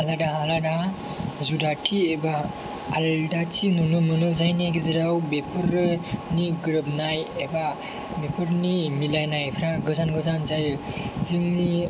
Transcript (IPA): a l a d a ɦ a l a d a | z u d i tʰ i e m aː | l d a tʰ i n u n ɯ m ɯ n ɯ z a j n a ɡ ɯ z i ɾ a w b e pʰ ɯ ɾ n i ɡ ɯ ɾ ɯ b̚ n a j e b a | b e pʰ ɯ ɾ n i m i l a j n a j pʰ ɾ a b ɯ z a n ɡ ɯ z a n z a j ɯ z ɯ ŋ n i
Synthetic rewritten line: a l a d a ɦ a l a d a | z u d a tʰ i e b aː | l d a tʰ i n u n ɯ m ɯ n ɯ z a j n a ɡ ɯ z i ɾ a w b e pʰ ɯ ɾ n i ɡ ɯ ɾ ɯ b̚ n a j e b a | b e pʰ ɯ ɾ n i m i l a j n a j pʰ ɾ a ɡ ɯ z a n ɡ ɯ z a n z a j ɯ z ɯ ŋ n i

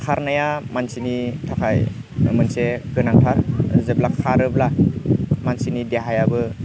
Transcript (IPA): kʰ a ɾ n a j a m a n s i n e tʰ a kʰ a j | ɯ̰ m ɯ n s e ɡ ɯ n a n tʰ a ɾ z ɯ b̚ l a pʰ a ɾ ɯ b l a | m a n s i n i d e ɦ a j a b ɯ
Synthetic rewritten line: kʰ a ɾ n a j a m a n s i n i tʰ a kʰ a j | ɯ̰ m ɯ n s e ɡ ɯ n a ŋ tʰ a ɾ z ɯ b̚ l a kʰ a ɾ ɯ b l a | m a n s i n i d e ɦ a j a b ɯ

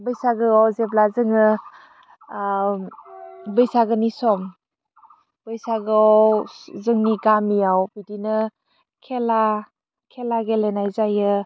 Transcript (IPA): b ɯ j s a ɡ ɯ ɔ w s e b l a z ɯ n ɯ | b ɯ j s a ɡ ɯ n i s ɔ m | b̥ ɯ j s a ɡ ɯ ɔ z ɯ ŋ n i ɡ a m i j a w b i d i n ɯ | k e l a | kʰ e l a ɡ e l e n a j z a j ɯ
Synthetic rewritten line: b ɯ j s a ɡ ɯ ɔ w z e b l a z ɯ ŋ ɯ | b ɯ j s a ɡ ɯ n i s ɔ m | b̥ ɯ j s a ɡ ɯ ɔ z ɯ ŋ n i ɡ a m i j a w b i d i n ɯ | kʰ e l a | kʰ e l a ɡ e l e n a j z a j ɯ

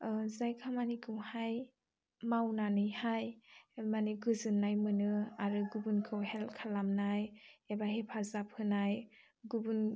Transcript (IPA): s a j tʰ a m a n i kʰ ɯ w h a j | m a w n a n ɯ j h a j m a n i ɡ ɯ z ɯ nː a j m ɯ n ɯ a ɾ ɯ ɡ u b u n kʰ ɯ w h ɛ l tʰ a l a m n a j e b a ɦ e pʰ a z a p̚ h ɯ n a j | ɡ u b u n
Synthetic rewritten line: z a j kʰ a m a n i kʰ ɯ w h a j | m a w n a n ɯ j h a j m a n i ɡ ɯ z ɯ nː a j m ɯ n ɯ a ɾ ɯ ɡ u b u n kʰ ɯ w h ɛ l kʰ a l a m n a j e b a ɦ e pʰ a z a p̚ h ɯ n a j | ɡ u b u n

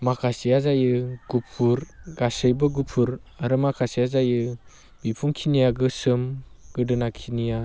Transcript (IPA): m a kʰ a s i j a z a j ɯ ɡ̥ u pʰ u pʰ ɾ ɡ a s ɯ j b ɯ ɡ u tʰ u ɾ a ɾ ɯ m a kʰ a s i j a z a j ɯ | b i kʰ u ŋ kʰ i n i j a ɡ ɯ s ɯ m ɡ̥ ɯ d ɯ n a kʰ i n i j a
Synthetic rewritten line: m a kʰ a s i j a z a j ɯ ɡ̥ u pʰ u ɾ ɡ a s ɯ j b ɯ ɡ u pʰ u ɾ a ɾ ɯ m a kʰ a s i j a z a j ɯ | b i pʰ u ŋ kʰ i n i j a ɡ ɯ s ɯ m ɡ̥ ɯ d ɯ n a kʰ i n i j a

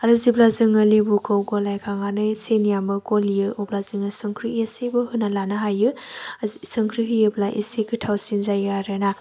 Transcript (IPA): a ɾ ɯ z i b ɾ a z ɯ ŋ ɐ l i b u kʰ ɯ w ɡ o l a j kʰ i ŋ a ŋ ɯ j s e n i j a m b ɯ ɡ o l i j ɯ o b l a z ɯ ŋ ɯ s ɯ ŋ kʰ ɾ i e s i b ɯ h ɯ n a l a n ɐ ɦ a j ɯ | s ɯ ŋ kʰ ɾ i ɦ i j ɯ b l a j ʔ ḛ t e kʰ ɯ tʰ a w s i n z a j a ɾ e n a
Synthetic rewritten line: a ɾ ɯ z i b l a z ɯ ŋ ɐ l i b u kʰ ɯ w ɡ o l a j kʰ a ŋ a n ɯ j s e n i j a m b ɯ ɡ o l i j ɯ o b l a z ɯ ŋ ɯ s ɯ ŋ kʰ ɾ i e s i b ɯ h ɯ n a l a n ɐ ɦ a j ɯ | s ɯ ŋ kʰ ɾ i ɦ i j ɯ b l a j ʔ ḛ s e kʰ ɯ tʰ a w s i n z a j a ɾ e n a

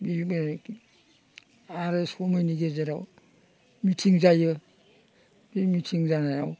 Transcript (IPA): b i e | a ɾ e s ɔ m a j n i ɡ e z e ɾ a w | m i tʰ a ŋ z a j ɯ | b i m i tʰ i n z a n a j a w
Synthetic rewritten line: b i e | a ɾ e s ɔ m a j n i ɡ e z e ɾ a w | m i tʰ i ŋ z a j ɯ | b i m i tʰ i ŋ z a n a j a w

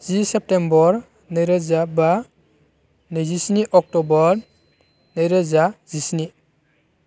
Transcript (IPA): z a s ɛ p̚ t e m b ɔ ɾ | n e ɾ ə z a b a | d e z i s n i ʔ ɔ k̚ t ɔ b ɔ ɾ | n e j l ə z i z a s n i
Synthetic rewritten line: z i s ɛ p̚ t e m b ɔ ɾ | n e ɾ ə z a b a | n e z i s n i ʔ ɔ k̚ t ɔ b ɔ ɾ | n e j ɾ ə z a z i s n i

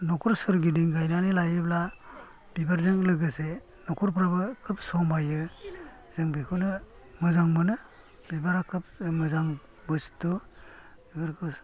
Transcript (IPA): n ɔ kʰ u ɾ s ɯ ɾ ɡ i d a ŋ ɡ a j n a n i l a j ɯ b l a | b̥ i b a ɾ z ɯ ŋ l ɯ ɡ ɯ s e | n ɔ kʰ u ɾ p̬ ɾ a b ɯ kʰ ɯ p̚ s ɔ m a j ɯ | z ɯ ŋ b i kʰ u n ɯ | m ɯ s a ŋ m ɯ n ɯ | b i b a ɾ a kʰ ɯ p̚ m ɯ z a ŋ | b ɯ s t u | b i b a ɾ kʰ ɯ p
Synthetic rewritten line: n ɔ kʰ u ɾ s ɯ ɾ ɡ i d i ŋ ɡ a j n a n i l a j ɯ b l a | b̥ i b a ɾ z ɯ ŋ l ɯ ɡ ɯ s e | n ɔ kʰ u ɾ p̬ ɾ a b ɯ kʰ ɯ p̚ s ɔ m a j ɯ | z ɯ ŋ b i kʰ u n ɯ | m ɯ z a ŋ m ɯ n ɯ | b i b a ɾ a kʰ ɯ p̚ m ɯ z a ŋ | b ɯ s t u | b i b a ɾ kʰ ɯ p

